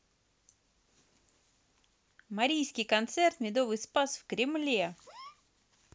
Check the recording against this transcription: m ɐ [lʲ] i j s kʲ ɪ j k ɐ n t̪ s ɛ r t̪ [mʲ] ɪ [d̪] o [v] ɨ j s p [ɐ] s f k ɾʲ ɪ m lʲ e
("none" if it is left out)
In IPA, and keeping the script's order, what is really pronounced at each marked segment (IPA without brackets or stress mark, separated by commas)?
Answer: ɾʲ, mʲ, d̪, v, a